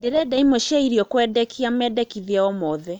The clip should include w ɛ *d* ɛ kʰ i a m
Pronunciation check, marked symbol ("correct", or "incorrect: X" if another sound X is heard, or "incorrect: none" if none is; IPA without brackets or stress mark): correct